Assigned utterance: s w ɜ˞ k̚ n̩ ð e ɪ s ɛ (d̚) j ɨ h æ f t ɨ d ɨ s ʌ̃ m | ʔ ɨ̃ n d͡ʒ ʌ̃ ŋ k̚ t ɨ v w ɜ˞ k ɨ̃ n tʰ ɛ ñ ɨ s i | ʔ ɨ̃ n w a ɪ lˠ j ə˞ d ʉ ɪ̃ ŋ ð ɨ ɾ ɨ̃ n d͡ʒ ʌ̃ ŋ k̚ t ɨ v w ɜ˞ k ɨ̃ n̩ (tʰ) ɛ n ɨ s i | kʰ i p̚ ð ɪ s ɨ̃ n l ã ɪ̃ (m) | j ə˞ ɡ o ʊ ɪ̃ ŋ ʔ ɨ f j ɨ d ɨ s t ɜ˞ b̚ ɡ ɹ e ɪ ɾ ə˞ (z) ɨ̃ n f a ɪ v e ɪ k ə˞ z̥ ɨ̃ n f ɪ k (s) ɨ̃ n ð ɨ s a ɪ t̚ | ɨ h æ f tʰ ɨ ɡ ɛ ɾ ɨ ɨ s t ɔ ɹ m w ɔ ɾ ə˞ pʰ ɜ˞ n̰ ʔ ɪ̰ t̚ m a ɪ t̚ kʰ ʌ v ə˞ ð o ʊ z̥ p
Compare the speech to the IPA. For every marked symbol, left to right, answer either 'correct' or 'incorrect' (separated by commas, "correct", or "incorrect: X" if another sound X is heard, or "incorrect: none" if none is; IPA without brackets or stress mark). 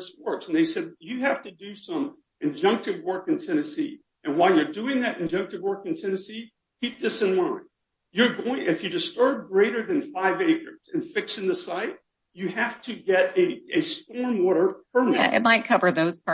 correct, correct, incorrect: n, incorrect: ð, correct